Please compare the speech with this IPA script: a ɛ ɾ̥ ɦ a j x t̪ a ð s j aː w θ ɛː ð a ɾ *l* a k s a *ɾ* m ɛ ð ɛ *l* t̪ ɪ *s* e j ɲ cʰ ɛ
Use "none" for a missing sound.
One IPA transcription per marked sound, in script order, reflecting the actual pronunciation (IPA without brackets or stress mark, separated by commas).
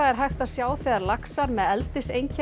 l, ɾ, l, s